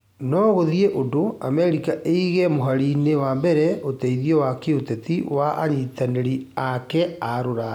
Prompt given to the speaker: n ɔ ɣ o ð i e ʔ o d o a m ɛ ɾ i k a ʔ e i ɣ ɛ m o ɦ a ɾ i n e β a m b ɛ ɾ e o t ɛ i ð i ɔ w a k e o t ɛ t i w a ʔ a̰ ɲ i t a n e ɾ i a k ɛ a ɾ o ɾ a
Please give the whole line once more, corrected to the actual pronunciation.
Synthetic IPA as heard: n ɔ ɣ o ð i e ʔ o d o a m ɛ ɾ i k a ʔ e i ɣ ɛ m o ɦ a ɾ i n e w a m b ɛ ɾ ɛ o t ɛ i ð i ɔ w a k e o t ɛ t i w a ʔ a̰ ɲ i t a n e ɾ i a k ɛ a ɾ o ɾ a